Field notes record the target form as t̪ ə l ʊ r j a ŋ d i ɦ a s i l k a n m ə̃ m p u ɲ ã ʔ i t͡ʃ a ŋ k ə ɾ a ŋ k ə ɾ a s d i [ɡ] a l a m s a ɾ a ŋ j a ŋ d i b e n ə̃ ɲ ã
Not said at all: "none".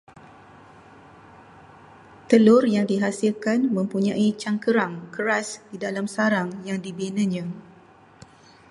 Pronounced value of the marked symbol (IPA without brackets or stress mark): d